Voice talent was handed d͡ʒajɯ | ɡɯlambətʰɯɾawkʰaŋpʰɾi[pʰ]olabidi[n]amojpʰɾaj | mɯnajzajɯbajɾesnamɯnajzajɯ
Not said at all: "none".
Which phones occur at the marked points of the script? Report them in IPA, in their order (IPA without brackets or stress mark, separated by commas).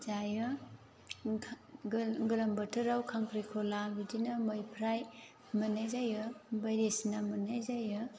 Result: kʰ, n